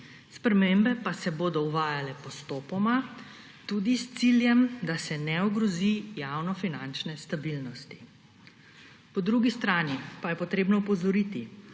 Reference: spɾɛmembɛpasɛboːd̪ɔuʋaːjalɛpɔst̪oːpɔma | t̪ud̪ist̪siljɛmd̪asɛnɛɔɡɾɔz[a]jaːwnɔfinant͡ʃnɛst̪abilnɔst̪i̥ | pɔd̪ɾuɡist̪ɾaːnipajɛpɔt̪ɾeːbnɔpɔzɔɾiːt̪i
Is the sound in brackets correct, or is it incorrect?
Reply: incorrect